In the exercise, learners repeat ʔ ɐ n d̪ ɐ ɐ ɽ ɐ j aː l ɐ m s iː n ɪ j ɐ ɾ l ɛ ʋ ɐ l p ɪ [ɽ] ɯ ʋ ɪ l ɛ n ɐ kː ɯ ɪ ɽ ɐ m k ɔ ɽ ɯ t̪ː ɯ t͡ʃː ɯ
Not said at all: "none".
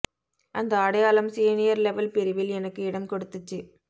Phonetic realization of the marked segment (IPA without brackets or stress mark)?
ɾ